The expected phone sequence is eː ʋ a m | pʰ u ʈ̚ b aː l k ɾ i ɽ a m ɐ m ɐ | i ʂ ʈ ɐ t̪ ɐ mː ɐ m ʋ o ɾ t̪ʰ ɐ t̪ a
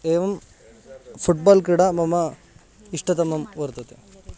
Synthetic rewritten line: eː ʋ ɐ m | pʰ u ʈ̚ b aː l k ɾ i ɽ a m ɐ m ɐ | i ʂ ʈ ɐ t̪ ɐ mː ɐ m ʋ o ɾ t̪ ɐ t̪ e